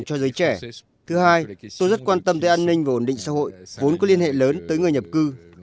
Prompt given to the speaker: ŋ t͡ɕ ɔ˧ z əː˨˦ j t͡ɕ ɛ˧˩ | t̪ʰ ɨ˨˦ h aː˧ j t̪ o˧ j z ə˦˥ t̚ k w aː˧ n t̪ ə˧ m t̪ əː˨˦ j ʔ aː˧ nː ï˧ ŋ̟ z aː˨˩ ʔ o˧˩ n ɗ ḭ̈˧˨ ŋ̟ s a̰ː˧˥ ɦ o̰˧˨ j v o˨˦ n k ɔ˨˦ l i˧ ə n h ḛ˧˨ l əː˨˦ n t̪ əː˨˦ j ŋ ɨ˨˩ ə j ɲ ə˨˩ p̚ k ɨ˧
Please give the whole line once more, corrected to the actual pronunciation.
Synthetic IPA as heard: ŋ t͡ɕ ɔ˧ z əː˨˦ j t͡ɕ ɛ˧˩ | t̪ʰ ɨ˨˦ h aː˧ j t̪ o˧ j z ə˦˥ t̚ k w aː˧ n t̪ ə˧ m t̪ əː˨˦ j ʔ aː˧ nː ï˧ ŋ̟ v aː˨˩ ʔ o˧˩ n ɗ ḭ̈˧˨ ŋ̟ s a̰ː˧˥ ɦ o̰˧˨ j v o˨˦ n k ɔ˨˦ l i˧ ə n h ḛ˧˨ l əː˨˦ n t̪ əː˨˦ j ŋ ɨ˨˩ ə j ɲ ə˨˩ p̚ k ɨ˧